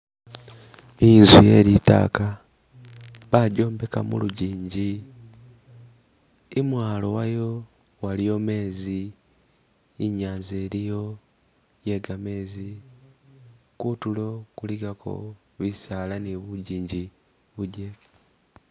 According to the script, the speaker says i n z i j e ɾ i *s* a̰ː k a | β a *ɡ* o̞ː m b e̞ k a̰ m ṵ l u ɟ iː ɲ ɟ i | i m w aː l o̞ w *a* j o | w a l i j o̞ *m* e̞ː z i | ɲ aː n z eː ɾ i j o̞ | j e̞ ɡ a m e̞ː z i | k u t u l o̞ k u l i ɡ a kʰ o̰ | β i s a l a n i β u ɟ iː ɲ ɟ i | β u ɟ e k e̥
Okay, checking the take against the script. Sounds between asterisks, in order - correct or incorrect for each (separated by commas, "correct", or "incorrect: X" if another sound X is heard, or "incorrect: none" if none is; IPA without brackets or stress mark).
incorrect: t, incorrect: ɟ, correct, correct